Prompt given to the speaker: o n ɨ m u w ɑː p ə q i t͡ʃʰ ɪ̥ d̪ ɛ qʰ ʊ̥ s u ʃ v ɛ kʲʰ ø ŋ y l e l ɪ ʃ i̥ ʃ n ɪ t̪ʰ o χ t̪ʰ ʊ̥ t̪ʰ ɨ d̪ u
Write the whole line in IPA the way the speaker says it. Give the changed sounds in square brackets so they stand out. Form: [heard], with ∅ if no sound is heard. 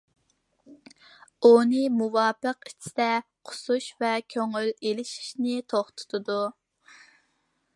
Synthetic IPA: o n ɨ m u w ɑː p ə q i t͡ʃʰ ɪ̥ d̪ ɛ qʰ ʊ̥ s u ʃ v ɛ kʲʰ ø ŋ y l e l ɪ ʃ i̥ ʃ n ɪ t̪ʰ o χ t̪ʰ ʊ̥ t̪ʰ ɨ d̪ u